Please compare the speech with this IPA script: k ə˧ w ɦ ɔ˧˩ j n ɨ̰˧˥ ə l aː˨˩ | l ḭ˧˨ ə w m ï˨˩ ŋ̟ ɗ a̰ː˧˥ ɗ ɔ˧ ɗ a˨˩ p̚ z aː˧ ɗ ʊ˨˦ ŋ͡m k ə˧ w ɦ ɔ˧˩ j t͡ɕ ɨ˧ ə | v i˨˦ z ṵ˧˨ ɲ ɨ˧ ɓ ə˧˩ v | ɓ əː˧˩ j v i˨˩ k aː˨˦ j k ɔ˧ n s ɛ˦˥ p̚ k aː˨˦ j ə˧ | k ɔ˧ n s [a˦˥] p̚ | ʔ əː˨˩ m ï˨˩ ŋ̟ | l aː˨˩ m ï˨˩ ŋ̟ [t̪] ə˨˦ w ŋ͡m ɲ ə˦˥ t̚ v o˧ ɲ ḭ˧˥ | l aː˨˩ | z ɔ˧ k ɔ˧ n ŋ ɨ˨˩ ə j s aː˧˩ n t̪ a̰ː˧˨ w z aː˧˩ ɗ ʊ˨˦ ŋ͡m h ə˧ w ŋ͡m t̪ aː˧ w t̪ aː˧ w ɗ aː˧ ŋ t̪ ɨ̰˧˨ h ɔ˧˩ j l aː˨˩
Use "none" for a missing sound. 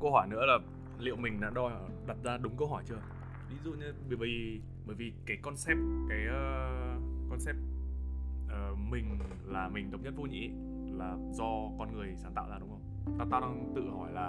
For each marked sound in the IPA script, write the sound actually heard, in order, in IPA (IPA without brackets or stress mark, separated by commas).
ɛ˦˥, t̪